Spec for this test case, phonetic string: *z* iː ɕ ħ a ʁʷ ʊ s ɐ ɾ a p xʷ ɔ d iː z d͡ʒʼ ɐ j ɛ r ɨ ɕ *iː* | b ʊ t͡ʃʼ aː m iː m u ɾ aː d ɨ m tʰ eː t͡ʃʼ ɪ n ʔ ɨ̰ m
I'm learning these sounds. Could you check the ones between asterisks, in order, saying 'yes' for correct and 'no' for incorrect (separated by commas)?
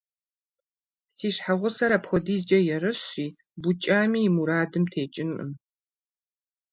no, yes